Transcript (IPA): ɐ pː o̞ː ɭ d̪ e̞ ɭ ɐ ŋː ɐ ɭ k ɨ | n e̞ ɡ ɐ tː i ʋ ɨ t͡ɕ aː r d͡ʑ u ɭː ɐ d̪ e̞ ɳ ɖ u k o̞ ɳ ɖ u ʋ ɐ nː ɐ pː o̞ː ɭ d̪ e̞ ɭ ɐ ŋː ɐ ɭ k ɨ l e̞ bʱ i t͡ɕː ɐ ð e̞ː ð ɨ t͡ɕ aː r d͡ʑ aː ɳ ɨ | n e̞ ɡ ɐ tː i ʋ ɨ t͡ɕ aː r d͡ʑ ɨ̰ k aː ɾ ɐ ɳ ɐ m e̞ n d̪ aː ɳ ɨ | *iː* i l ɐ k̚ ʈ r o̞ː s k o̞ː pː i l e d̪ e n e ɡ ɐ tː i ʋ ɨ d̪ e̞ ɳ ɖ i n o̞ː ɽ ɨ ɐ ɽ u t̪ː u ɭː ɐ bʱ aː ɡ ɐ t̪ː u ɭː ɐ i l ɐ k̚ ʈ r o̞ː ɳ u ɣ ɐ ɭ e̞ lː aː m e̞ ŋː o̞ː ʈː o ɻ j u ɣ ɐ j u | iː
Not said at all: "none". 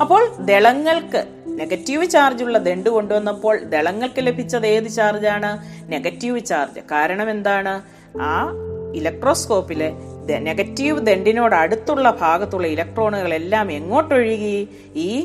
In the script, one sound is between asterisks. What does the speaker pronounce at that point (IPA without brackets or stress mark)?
aː